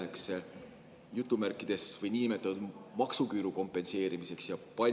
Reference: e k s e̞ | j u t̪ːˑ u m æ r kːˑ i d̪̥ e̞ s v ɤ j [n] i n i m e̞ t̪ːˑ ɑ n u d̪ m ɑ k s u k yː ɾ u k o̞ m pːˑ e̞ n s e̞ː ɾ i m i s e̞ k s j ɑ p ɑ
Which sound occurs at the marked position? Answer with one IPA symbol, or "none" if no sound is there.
n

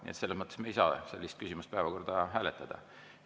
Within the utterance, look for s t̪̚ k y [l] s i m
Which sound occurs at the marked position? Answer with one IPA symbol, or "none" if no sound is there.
none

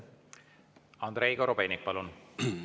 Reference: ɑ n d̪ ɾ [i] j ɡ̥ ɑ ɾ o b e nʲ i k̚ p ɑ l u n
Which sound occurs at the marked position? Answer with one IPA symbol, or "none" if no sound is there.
e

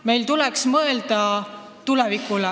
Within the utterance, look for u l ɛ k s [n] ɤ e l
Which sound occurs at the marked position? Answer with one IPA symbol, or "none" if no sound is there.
m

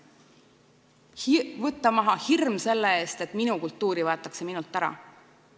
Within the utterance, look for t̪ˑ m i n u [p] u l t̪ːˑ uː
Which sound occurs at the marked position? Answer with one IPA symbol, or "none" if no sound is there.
k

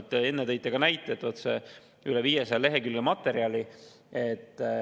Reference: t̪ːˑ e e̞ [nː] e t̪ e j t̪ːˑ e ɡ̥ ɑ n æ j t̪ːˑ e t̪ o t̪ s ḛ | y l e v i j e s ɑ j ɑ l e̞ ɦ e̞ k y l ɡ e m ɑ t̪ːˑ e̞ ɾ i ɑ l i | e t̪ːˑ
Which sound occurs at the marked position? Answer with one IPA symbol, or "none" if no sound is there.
nː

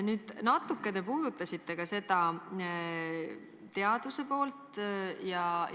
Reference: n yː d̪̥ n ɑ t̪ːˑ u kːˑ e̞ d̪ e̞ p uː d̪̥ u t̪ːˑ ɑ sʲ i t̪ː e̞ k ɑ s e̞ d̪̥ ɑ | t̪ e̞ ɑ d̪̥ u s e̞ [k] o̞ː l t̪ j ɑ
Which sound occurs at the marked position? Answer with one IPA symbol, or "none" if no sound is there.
p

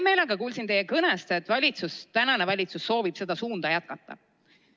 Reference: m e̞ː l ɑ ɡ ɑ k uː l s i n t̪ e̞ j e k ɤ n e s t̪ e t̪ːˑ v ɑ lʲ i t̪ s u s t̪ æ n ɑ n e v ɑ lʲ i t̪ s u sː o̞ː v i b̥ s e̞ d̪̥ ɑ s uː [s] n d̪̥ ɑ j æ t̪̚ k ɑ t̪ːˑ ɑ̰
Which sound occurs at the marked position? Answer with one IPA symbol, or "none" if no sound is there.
none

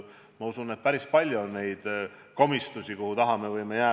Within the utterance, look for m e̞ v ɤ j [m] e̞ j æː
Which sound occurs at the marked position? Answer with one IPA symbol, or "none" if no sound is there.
m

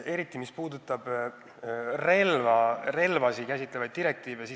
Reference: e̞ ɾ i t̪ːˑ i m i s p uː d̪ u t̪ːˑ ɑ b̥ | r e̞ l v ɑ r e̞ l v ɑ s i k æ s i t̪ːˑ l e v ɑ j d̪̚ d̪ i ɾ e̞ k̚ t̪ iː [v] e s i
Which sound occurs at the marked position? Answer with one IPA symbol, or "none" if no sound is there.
v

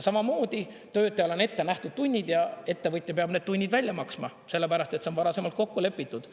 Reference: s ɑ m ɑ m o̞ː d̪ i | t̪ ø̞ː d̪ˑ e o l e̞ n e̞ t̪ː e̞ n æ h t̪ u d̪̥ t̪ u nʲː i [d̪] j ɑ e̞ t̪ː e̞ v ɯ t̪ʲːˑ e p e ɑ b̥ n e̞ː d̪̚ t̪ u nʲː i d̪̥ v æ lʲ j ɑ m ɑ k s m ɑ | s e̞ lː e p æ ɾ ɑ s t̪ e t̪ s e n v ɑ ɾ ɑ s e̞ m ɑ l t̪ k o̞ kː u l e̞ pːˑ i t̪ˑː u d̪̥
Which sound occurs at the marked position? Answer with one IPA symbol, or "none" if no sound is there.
d̪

